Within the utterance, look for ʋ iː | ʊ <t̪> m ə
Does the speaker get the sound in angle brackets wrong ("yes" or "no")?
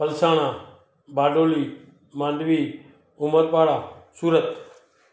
yes